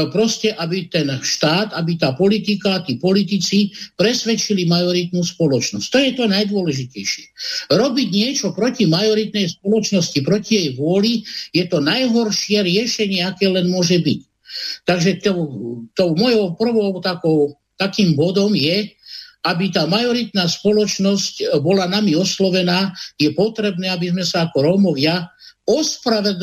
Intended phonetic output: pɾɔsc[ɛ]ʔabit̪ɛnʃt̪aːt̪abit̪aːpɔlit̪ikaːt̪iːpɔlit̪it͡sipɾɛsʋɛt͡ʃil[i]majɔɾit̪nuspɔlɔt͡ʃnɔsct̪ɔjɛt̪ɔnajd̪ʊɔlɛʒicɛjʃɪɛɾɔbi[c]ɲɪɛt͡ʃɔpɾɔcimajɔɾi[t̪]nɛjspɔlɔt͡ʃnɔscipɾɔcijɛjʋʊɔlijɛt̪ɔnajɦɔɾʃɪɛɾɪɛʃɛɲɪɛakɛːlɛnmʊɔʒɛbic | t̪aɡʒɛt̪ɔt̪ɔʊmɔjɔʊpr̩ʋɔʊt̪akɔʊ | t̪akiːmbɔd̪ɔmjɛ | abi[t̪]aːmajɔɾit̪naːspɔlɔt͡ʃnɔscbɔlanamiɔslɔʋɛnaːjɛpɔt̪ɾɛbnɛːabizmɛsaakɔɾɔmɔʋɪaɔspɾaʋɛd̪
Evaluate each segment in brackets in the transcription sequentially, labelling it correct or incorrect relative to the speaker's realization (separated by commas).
correct, correct, incorrect, correct, correct